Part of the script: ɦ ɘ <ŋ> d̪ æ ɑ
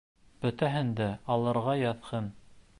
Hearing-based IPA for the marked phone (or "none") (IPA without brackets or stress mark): n